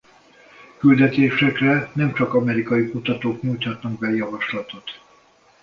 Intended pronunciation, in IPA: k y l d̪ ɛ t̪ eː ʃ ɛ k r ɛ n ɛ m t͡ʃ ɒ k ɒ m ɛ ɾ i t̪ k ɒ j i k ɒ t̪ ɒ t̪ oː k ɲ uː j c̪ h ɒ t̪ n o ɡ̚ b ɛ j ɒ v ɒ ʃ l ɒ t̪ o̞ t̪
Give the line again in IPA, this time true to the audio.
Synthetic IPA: k y l d̪ ɛ t̪ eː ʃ ɛ k r ɛ n ɛ m t͡ʃ ɒ k ɒ m ɛ ɾ i k ɒ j i k u t̪ ɒ t̪ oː k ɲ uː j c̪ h ɒ t̪ n ɒ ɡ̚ b ɛ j ɒ v ɒ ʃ l ɒ t̪ o̞ t̪